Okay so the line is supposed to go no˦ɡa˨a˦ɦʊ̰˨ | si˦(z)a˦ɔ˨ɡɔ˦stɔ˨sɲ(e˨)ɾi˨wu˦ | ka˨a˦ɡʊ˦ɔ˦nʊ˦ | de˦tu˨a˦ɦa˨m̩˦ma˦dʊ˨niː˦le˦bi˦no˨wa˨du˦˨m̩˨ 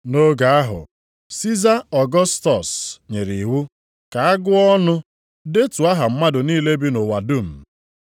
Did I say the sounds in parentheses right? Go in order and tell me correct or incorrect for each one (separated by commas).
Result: correct, correct